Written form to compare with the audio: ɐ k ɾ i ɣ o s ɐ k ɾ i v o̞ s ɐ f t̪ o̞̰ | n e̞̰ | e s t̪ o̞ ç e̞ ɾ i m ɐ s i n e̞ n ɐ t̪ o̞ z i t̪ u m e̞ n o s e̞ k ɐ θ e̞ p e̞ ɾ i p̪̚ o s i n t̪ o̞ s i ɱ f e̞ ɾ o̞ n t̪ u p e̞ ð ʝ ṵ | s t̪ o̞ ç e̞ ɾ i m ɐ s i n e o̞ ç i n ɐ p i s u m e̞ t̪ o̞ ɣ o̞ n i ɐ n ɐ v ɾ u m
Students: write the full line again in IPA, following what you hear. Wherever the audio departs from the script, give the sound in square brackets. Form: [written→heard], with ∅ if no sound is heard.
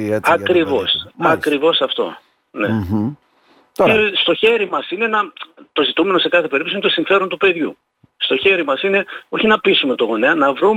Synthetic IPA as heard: ɐ k ɾ i [ɣ→v] o s ɐ k ɾ i v o̞ s ɐ f t̪ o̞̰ | n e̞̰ | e s t̪ o̞ ç e̞ ɾ i m ɐ s i n e̞ n ɐ t̪ o̞ z i t̪ u m e̞ n o s e̞ k ɐ θ e̞ p e̞ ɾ i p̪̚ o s i n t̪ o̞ s i ɱ f e̞ ɾ o̞ n t̪ u p e̞ ð ʝ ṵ | s t̪ o̞ ç e̞ ɾ i m ɐ s i n e o̞ ç i n ɐ p i s u m e̞ t̪ o̞ ɣ o̞ n [i→e] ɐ n ɐ v ɾ u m